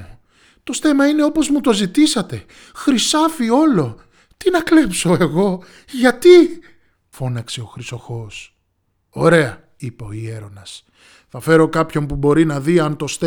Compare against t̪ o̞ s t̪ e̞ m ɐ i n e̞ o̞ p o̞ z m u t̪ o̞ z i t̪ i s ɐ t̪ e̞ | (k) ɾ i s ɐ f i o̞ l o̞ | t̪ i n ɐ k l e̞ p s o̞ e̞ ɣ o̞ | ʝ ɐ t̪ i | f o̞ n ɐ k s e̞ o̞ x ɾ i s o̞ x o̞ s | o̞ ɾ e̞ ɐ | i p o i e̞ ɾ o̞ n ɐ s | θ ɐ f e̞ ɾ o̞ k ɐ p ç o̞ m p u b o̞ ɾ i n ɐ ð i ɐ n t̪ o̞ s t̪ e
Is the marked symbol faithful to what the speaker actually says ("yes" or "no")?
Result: no